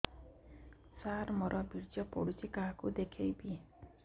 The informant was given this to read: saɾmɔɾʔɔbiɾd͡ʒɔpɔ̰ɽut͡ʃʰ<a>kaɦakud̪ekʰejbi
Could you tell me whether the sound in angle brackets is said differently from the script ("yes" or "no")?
yes